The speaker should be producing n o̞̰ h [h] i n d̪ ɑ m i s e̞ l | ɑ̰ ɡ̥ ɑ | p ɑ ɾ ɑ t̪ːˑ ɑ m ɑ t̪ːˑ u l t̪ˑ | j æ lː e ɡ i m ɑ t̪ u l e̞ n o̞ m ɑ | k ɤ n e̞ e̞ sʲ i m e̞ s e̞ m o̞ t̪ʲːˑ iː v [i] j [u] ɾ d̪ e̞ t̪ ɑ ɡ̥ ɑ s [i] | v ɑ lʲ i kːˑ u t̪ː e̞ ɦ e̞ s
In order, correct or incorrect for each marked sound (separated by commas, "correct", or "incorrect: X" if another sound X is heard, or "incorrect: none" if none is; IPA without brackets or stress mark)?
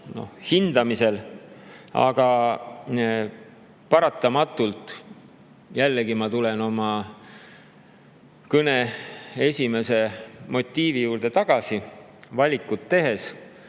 correct, correct, incorrect: uː, correct